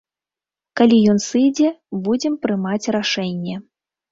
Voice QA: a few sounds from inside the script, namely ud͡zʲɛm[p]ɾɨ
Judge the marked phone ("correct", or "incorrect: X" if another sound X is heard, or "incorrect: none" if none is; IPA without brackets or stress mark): correct